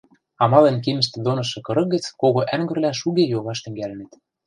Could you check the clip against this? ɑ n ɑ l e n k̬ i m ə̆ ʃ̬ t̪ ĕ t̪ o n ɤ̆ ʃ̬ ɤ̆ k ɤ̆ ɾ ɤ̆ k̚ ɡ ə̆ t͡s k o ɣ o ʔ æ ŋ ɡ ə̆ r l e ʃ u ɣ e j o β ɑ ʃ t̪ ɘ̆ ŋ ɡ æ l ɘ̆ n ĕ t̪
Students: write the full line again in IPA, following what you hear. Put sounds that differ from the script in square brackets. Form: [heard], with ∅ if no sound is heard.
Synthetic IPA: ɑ [m] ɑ l e n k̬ i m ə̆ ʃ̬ t̪ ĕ [d̪] o n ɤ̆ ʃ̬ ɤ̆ k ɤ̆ ɾ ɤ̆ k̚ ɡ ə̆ t͡s k o ɣ o ʔ æ ŋ ɡ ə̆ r l [æ] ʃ u ɣ e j o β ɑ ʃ t̪ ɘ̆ ŋ ɡ æ l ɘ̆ n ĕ t̪